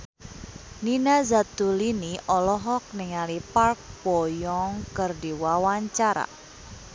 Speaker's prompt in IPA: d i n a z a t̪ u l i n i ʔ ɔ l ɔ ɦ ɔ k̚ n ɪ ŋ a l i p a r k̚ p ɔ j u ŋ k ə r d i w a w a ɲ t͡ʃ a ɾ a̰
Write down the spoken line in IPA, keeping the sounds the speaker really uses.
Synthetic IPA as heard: n i n a z a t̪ u l i n i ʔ ɔ l ɔ ɦ ɔ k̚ n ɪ ŋ a l i p a r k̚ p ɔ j ɔ ŋ k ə r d i w a w a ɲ t͡ʃ a ɾ a̰

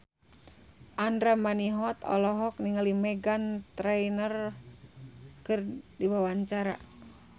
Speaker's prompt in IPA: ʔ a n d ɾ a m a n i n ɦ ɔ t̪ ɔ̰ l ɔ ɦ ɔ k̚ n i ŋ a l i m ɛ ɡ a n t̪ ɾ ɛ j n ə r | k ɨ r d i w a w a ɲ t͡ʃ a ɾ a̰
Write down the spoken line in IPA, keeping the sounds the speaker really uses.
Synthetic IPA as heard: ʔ a n d ɾ a m a n i ɦ ɔ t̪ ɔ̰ l ɔ ɦ ɔ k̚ n i ŋ a l i m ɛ ɡ a n t̪ ɾ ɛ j n ə r | k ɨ r d i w a w a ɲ t͡ʃ a ɾ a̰

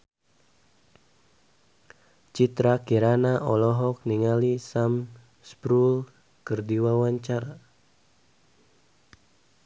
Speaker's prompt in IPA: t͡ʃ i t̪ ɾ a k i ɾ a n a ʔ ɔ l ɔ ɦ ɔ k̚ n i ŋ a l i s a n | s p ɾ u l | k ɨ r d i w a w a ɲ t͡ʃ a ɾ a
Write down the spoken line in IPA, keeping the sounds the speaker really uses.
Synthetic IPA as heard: t͡ʃ i t̪ ɾ a k i ɾ a n a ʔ ɔ l ɔ ɦ ɔ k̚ n i ŋ a l i s a m | s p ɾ u l | k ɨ r d i w a w a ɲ t͡ʃ a ɾ a

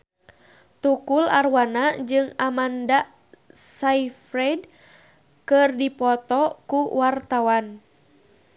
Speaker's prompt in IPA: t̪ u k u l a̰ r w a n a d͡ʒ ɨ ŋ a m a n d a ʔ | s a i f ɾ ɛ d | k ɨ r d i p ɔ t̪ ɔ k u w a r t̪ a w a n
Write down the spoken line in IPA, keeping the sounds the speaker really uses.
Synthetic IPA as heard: t̪ u k u l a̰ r w a n a d͡ʒ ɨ ŋ a m a n d a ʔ | s a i f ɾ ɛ d | k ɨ r d i p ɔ t̪ ɔ k u w a r t̪ a w a n

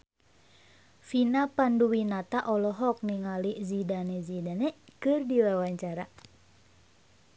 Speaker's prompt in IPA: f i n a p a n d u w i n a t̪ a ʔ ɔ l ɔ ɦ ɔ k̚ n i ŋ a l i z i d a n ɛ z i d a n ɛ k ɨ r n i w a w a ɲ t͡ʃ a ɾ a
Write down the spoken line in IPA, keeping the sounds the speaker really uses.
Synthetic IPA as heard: f i n a p a n d u w i n a t̪ a ʔ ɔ l ɔ ɦ ɔ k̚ n i ŋ a l i z i d a n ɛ z i d a n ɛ k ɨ r d i w a w a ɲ t͡ʃ a ɾ a

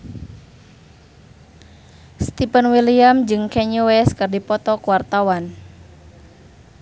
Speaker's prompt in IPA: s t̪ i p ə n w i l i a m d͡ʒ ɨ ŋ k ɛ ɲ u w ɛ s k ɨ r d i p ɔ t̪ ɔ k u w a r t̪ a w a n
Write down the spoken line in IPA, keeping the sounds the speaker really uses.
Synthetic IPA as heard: s t̪ i p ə n w i l i a m d͡ʒ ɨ ŋ k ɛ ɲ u w ɛ s k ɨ r d i p ɔ t̪ ɔ k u w a r t̪ a w a n

